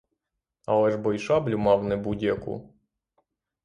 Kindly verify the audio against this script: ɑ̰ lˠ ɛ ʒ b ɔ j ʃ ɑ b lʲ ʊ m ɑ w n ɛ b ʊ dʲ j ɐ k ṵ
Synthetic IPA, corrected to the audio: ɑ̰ lˠ ɛ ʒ b ɔ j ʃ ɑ b lʲ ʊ m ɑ w n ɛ b u dʲ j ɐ k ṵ